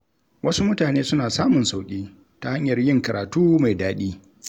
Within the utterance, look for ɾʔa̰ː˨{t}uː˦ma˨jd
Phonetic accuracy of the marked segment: correct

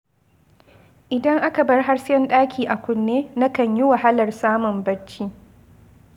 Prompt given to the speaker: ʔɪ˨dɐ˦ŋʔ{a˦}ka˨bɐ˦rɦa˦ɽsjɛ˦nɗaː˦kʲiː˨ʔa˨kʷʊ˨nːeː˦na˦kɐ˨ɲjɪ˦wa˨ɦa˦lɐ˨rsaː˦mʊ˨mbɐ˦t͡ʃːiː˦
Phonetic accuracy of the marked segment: correct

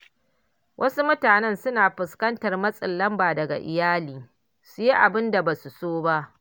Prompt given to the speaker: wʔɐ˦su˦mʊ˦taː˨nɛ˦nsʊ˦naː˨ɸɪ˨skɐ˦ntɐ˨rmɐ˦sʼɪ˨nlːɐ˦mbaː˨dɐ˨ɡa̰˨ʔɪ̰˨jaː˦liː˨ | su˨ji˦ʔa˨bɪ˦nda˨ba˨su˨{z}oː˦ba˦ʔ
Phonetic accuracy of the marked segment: incorrect: s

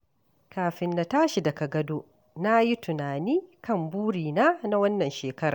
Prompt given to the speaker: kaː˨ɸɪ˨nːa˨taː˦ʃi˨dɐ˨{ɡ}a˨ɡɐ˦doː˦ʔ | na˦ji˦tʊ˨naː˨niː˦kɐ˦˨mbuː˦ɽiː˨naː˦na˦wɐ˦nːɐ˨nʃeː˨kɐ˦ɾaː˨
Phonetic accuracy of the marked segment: incorrect: k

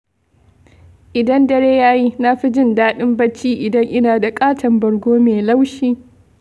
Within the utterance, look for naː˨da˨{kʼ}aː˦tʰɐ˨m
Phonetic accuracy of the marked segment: correct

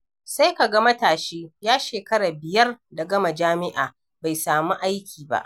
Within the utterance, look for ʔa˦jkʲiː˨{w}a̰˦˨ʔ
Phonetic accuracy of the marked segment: incorrect: b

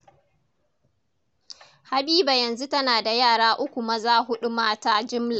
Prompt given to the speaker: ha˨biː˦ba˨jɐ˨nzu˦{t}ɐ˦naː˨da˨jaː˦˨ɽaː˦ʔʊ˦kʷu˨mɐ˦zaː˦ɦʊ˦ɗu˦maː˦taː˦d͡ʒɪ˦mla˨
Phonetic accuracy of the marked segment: correct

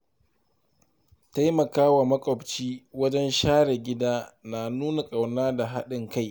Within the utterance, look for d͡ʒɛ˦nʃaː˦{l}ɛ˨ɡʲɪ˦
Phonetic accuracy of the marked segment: incorrect: ɽ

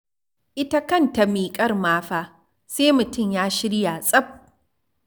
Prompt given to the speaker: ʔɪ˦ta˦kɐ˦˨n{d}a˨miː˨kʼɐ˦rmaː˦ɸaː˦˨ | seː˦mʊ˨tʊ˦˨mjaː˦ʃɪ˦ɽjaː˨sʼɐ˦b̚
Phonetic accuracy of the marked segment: incorrect: t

